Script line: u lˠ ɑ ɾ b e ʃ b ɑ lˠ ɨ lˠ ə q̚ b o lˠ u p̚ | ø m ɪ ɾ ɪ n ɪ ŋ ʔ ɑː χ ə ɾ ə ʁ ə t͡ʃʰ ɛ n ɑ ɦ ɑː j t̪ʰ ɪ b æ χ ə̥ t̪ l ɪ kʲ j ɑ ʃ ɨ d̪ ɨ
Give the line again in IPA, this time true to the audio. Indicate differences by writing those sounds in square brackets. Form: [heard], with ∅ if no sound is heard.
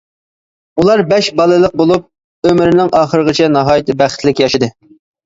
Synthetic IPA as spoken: u lˠ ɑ ɾ b [ɛ] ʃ b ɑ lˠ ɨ lˠ ə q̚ b o lˠ u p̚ | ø m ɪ ɾ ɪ n ɪ ŋ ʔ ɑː χ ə ɾ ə ʁ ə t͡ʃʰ ɛ n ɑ ɦ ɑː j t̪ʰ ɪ b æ χ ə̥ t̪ l ɪ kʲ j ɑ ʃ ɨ d̪ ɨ